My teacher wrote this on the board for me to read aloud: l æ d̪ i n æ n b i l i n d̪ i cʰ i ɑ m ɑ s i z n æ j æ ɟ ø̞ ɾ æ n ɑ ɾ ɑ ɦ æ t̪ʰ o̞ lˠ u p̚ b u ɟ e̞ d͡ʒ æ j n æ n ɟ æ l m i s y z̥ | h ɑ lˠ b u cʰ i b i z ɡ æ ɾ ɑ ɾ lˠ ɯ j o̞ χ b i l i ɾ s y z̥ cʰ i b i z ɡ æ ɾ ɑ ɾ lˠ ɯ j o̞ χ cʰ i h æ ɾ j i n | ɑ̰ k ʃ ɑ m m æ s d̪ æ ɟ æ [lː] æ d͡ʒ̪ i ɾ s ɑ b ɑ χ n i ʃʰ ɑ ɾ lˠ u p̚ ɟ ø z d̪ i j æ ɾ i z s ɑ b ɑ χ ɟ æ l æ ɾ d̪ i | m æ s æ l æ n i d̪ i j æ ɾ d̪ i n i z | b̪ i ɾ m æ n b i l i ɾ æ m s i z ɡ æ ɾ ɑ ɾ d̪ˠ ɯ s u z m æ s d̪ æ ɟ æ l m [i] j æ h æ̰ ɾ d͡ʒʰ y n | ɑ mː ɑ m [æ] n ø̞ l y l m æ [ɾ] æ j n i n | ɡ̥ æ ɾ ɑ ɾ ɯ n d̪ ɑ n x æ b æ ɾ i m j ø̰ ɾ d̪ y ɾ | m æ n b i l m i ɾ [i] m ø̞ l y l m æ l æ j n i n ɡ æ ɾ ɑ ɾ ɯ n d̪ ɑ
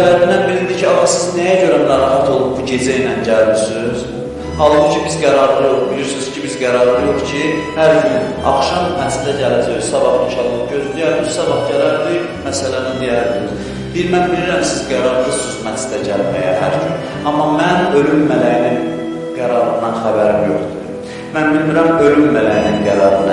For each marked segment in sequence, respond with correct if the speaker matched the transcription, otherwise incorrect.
incorrect: l, incorrect: æ, correct, incorrect: l, incorrect: æ

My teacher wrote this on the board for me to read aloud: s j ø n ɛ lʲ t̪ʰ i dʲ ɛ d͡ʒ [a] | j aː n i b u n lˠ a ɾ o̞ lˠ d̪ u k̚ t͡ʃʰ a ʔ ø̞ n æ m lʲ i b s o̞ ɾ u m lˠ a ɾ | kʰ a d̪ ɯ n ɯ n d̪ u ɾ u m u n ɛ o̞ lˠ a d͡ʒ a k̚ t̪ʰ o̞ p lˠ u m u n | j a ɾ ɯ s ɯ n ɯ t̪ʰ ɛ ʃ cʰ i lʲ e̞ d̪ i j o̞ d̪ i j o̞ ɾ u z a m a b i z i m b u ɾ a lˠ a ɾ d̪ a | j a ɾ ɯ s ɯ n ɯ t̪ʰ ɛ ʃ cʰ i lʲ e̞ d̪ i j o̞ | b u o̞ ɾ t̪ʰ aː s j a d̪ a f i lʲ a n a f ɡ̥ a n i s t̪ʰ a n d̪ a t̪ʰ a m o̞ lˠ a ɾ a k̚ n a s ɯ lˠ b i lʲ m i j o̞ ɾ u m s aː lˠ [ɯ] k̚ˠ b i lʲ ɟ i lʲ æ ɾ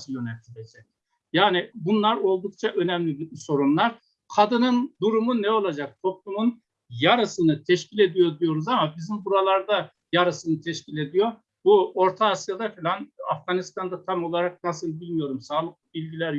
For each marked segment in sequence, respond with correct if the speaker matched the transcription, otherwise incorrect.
incorrect: ɛ, correct

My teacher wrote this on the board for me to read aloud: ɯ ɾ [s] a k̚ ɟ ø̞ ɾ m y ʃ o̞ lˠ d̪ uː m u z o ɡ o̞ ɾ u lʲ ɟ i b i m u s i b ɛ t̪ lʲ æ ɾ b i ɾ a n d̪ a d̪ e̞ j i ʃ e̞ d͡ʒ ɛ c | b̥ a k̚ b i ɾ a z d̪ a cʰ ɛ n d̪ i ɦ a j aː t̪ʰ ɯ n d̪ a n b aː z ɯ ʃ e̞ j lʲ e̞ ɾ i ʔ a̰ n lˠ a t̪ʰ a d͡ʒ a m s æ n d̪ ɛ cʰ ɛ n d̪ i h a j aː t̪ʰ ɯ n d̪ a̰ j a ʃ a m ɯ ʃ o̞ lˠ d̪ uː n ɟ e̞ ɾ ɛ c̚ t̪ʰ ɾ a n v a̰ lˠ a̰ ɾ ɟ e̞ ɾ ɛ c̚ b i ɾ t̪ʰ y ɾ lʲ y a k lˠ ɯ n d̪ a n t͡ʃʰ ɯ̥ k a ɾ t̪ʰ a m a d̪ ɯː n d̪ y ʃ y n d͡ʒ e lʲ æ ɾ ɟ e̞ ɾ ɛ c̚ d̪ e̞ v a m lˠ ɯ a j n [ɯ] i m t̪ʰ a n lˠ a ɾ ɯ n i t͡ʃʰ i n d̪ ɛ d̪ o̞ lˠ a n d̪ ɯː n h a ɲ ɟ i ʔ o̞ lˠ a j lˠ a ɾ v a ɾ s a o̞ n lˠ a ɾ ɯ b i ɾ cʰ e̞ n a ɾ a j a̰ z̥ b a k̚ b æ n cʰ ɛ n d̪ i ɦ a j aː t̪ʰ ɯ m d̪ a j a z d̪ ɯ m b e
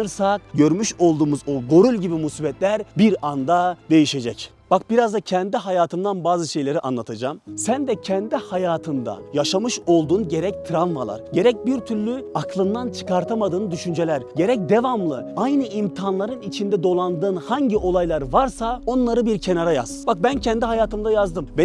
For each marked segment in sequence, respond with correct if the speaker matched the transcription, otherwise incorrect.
correct, correct

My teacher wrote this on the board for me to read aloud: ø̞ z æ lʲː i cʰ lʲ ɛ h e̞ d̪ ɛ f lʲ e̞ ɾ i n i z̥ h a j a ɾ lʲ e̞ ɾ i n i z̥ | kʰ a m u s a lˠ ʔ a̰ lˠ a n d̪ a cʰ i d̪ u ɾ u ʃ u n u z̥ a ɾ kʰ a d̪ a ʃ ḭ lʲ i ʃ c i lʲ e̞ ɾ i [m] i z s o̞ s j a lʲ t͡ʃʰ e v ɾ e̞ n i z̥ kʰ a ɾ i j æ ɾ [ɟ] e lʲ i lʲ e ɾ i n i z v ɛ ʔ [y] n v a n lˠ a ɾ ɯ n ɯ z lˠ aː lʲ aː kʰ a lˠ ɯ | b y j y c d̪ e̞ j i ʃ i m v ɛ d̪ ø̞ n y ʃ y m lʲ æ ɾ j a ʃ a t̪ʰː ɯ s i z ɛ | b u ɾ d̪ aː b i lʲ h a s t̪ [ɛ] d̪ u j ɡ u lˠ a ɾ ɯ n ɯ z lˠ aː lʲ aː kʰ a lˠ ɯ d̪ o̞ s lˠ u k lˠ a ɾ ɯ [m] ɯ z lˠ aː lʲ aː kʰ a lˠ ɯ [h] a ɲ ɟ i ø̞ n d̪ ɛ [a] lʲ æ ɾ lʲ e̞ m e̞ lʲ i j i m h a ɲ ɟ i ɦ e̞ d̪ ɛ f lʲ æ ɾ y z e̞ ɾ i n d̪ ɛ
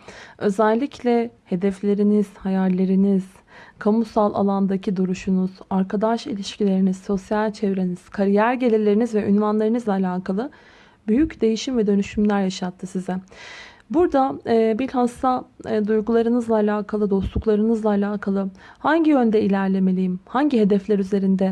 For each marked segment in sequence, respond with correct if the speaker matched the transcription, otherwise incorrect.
incorrect: n, correct, correct, incorrect: a, incorrect: n, correct, incorrect: i

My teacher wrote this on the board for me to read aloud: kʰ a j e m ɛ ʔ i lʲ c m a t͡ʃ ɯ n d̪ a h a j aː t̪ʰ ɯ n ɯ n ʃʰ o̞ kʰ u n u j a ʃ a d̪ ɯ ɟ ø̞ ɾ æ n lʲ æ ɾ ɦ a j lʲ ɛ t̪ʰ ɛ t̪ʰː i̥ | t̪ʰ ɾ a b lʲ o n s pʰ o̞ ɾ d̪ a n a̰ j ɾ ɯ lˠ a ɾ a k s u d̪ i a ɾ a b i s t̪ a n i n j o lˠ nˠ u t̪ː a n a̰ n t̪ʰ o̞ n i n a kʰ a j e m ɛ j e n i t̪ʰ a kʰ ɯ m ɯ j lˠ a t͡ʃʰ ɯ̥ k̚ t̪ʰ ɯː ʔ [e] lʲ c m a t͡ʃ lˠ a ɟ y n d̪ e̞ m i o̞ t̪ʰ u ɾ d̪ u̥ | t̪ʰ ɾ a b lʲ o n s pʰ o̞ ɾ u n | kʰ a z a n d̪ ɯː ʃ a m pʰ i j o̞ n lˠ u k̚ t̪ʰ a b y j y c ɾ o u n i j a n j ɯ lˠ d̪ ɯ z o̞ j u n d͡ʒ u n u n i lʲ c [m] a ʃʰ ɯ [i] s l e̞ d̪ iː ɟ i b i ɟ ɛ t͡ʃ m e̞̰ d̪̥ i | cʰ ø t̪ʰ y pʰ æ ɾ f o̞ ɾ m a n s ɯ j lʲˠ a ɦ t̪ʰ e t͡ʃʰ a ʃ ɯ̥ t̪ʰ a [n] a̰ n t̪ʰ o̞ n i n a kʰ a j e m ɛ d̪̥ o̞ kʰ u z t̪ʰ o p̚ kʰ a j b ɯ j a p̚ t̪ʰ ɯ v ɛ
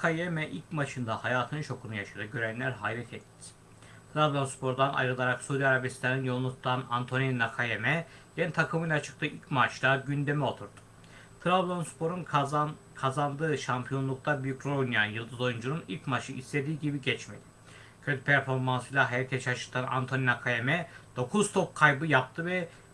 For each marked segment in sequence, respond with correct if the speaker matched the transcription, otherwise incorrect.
incorrect: i, correct, correct, correct

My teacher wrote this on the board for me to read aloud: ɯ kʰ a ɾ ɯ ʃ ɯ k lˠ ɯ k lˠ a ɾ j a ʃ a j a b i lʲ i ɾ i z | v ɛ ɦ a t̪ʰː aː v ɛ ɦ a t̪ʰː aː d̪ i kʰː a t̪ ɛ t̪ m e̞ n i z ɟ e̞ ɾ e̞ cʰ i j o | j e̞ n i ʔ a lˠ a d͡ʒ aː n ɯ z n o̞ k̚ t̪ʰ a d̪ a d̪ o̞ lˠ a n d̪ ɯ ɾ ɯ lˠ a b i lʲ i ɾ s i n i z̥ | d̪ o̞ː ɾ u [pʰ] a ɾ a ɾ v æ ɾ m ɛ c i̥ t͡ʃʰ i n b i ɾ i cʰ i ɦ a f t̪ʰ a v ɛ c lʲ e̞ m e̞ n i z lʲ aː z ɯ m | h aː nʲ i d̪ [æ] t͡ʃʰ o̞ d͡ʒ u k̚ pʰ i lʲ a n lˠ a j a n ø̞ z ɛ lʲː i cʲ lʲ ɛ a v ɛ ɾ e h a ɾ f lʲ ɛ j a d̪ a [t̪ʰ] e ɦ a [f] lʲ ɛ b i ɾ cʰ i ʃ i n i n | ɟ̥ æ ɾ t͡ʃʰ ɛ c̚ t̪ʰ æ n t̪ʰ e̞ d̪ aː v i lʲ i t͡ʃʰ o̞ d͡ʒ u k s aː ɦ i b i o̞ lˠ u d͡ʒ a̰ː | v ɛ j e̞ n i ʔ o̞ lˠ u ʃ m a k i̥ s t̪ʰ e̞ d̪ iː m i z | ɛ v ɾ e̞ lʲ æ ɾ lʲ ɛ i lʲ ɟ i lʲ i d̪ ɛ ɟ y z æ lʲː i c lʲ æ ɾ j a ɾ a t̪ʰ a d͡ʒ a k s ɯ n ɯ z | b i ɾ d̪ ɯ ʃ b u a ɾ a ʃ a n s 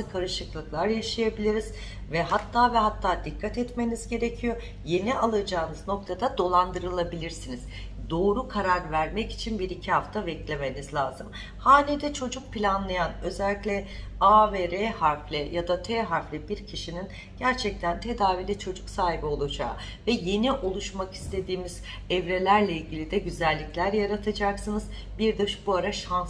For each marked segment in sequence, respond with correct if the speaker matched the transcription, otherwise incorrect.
incorrect: kʰ, incorrect: ɛ, correct, correct

